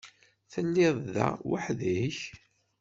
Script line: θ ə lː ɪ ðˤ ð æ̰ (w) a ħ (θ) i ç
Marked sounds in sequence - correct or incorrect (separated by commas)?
correct, incorrect